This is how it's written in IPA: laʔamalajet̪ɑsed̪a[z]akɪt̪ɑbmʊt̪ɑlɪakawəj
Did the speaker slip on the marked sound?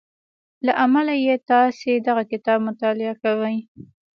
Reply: yes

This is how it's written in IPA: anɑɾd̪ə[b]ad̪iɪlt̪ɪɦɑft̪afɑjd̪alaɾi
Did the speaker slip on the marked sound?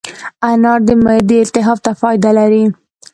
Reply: yes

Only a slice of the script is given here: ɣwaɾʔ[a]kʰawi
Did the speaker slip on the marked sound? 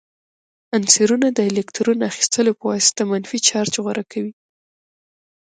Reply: no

